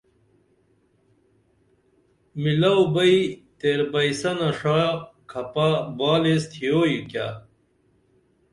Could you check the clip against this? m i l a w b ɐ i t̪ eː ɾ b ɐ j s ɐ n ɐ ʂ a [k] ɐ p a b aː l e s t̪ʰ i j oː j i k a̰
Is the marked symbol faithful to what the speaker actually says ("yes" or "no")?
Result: no